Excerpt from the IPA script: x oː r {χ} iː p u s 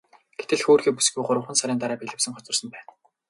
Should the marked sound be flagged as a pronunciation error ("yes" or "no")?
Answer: yes